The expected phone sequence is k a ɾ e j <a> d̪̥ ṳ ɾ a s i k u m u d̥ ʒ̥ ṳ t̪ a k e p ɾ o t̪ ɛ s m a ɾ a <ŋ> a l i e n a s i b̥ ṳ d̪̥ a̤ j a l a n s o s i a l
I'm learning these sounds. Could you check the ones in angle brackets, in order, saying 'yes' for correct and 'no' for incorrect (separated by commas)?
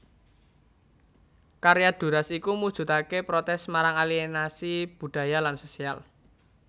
yes, yes